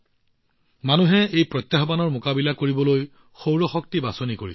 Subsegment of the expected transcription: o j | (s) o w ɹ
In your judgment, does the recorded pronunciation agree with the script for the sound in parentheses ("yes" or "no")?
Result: no